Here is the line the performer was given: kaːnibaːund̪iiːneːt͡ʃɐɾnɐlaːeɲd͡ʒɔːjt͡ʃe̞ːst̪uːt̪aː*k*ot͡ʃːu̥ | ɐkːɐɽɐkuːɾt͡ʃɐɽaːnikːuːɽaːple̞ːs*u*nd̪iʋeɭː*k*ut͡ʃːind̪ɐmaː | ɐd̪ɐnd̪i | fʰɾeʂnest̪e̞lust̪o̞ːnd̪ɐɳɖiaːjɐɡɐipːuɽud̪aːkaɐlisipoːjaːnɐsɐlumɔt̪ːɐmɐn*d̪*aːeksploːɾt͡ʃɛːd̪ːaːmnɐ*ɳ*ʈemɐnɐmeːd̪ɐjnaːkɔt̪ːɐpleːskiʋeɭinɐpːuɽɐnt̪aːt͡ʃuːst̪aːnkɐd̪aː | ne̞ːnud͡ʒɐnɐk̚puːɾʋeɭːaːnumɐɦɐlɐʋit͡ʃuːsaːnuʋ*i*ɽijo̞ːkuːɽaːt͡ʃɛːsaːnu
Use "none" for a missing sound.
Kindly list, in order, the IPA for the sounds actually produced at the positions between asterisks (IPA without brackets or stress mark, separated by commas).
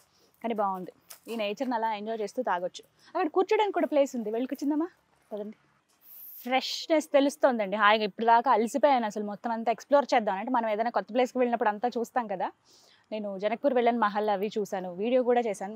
ɡ, u, k, t̪, ɳ, iː